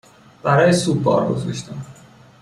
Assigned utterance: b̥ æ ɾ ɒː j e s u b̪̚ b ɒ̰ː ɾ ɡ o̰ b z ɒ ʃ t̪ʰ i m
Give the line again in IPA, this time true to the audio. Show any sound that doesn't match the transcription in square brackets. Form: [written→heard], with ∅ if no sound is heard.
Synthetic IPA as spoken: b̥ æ ɾ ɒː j e s u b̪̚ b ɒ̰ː ɾ ɡ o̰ [b→∅] z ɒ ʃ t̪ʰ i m